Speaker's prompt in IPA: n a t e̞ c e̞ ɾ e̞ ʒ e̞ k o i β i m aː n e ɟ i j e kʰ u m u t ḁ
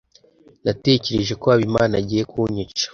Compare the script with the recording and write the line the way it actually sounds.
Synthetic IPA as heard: n a t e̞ c e̞ ɾ e̞ ʒ e̞ k o a β i m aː n a ɟ i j e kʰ u ɲ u t͡ʃ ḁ